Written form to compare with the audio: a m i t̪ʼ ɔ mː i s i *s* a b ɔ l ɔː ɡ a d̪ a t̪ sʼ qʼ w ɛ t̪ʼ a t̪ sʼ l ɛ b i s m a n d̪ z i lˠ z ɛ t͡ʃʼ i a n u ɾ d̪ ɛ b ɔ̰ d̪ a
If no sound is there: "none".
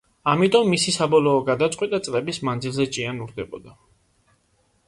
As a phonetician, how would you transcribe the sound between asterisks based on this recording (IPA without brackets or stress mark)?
s